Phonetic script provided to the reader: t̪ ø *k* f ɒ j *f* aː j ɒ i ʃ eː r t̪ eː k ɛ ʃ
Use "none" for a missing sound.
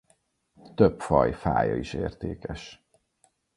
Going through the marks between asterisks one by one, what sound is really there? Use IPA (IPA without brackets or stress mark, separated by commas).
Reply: p, f